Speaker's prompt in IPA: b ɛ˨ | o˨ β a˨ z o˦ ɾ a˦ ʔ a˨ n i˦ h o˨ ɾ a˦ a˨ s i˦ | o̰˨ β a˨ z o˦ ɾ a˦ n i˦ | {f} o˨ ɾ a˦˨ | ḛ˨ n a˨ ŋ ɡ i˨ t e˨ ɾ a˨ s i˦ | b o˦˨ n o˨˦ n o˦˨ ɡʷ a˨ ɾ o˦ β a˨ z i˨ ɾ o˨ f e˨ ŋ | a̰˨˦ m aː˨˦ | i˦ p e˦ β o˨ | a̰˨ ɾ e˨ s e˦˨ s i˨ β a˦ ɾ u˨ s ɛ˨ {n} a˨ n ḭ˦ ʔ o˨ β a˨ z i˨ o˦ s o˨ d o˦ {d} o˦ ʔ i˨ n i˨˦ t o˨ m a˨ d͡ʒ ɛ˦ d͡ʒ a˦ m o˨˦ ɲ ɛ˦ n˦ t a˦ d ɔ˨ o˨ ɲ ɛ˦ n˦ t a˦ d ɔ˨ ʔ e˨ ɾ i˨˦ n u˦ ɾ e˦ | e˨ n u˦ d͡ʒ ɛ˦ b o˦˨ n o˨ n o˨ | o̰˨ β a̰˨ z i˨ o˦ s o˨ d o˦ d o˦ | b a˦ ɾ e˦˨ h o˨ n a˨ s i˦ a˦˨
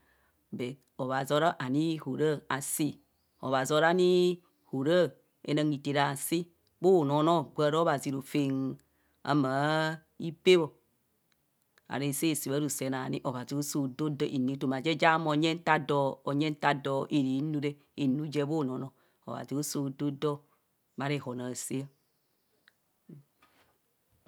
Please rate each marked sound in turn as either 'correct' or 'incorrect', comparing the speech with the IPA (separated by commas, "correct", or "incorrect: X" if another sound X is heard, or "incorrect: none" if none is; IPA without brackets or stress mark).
incorrect: h, correct, correct